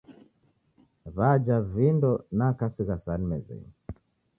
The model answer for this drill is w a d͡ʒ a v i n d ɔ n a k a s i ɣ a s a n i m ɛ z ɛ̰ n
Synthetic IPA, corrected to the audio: β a d͡ʒ a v i n d ɔ n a k a s i ɣ a s a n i m ɛ z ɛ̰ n